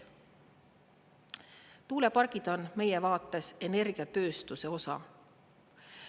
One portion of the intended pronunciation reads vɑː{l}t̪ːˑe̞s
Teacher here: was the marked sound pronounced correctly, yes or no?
no